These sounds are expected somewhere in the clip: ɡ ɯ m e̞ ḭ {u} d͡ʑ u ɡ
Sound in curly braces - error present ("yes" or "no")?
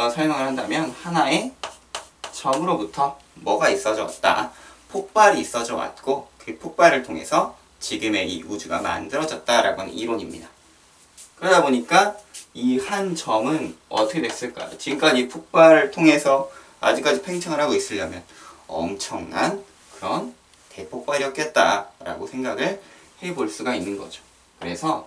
no